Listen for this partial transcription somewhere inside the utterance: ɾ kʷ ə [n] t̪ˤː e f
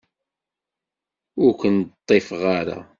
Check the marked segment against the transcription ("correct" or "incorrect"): correct